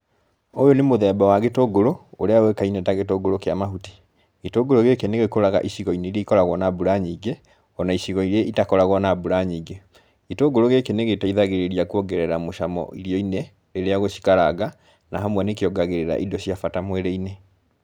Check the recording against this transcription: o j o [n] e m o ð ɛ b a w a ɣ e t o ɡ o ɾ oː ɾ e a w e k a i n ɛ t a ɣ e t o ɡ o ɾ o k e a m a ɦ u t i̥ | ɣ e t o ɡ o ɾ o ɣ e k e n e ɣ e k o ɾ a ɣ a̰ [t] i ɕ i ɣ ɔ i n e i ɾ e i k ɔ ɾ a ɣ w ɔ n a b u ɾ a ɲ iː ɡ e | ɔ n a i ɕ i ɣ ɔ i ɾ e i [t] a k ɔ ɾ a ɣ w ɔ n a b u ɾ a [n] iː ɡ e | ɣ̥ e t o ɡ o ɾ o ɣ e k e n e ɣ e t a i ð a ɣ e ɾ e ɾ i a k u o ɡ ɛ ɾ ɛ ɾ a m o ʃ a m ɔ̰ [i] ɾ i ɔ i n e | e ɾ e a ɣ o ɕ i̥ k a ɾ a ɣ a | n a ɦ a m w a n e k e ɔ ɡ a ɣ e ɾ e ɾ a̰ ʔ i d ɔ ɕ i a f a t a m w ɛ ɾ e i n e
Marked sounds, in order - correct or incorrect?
correct, incorrect, correct, incorrect, correct

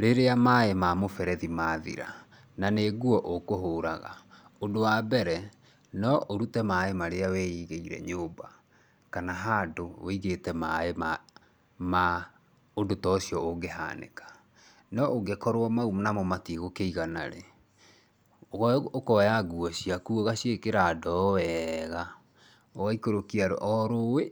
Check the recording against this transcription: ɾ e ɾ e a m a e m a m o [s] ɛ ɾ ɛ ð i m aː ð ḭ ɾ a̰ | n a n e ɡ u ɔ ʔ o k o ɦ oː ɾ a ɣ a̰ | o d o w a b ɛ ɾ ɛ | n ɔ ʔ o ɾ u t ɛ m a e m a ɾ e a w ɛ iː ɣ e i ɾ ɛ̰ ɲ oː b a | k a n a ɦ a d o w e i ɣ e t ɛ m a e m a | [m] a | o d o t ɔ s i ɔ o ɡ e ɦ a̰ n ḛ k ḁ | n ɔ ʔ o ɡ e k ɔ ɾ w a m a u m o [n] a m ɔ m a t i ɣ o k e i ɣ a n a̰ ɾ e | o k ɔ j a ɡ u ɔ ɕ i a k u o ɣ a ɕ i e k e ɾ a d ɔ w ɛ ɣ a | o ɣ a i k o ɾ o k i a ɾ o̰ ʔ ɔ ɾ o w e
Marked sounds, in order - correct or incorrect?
incorrect, correct, correct

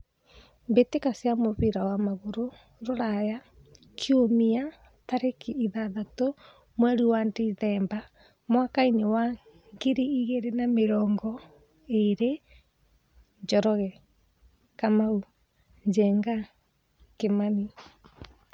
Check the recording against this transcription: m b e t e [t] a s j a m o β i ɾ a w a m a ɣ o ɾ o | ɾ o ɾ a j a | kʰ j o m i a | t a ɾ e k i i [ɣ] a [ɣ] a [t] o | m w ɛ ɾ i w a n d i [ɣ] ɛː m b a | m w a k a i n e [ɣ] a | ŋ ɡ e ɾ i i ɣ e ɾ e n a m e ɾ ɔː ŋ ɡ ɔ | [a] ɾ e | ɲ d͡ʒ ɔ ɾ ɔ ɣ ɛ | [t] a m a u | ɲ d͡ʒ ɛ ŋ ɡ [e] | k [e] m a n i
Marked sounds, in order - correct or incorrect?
incorrect, incorrect, incorrect, correct, incorrect, incorrect, incorrect, incorrect, incorrect, correct

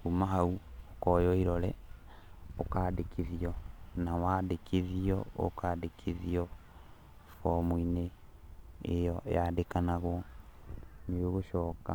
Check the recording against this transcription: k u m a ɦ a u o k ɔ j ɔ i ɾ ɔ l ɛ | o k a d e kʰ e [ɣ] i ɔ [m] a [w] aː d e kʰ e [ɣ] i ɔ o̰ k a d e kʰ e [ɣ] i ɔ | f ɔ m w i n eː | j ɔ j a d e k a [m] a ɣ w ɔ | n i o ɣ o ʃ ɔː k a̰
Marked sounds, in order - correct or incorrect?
incorrect, incorrect, correct, incorrect, incorrect, incorrect

